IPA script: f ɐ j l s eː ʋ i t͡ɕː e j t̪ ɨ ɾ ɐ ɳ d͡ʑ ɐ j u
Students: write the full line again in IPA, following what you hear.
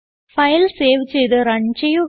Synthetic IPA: f ɐ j l s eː ʋ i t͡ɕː e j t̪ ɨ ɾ ɐ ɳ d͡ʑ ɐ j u